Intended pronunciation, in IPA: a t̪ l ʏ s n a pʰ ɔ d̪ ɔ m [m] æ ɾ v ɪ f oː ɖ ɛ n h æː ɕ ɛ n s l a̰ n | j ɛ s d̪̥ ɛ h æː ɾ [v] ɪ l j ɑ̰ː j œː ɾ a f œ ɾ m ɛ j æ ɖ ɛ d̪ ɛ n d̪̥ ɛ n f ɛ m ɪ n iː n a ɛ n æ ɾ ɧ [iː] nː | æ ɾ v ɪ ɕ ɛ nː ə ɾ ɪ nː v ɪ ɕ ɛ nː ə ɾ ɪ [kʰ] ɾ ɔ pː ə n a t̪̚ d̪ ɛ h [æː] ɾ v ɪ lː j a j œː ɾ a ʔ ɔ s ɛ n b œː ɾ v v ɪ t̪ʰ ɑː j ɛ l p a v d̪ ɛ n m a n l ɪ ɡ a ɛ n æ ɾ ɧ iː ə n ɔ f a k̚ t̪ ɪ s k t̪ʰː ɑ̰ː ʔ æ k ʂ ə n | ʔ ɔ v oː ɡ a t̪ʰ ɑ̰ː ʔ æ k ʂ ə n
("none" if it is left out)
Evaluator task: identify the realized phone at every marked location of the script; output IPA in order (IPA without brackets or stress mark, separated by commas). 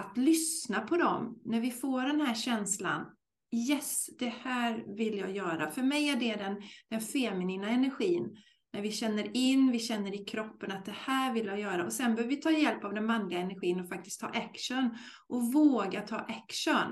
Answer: n, v, iː, kʰ, æː